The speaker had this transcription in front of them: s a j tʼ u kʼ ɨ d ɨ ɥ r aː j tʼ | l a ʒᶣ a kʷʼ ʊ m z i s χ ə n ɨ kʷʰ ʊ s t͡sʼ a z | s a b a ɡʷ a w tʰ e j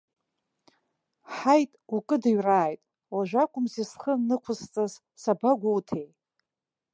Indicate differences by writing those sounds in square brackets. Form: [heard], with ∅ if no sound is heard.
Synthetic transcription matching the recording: [ħ] a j tʼ u kʼ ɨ d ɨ ɥ r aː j tʼ | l a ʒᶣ a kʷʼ ʊ m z i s χ ə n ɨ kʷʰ ʊ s t͡sʼ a z | s a b a ɡʷ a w tʰ e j